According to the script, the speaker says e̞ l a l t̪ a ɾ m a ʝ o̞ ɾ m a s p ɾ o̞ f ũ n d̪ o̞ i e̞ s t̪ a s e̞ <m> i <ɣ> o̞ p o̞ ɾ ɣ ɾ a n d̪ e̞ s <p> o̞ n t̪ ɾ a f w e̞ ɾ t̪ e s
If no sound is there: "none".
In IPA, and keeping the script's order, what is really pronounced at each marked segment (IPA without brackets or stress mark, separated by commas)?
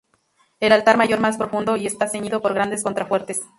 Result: ɲ, ð, k